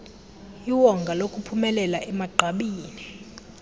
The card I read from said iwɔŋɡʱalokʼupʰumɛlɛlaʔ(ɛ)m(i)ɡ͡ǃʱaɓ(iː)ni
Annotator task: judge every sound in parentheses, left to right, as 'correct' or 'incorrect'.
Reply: correct, incorrect: a, correct

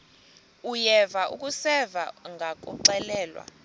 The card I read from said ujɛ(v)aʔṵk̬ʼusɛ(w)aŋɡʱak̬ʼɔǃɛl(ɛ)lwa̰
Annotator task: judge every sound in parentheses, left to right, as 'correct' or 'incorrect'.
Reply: correct, incorrect: v, incorrect: ɛː

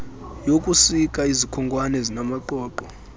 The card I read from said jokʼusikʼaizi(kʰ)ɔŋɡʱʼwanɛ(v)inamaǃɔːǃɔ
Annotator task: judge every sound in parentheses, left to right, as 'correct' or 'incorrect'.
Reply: correct, incorrect: z

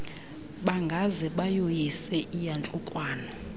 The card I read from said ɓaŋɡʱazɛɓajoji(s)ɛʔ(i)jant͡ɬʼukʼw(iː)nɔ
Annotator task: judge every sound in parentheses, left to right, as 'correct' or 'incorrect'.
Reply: correct, correct, incorrect: aː

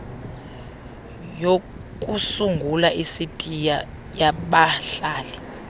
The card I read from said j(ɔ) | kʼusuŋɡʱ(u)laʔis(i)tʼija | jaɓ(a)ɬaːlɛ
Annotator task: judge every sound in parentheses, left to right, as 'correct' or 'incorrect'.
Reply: incorrect: o, correct, correct, correct

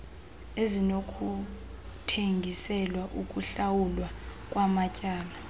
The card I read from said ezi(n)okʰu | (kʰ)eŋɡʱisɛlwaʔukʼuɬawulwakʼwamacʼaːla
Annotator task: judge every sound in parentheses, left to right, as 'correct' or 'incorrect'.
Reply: correct, incorrect: tʰ

